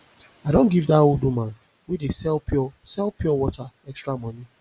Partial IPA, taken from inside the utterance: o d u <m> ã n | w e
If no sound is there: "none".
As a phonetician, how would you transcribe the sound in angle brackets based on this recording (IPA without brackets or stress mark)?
m